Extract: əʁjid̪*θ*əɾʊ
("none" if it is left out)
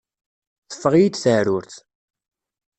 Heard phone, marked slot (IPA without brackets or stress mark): θ